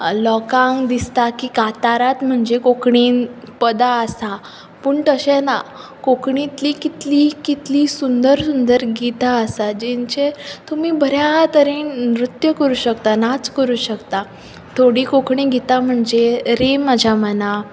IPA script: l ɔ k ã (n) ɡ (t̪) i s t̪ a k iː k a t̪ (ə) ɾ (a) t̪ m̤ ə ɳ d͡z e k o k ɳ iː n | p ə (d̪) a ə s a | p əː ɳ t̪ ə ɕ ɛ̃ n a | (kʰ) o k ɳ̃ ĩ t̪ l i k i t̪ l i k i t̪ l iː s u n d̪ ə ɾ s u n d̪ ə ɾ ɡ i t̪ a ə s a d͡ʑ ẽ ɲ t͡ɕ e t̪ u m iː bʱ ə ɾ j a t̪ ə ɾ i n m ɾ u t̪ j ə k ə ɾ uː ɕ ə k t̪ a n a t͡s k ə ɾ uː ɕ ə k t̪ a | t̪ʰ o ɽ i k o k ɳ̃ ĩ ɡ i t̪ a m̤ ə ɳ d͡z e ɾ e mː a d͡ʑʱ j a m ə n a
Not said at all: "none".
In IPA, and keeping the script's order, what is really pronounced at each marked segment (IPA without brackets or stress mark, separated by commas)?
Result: ŋ, d̪, a, a, d̪, k